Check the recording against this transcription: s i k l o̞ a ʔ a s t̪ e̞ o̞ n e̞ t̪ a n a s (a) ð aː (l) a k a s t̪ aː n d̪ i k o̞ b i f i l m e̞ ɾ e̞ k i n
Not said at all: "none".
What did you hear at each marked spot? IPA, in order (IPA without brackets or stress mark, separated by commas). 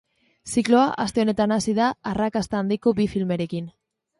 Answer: i, r